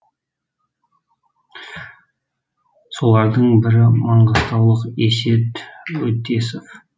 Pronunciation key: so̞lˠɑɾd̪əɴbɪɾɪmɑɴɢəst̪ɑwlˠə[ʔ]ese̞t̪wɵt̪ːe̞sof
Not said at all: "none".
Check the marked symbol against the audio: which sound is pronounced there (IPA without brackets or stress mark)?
q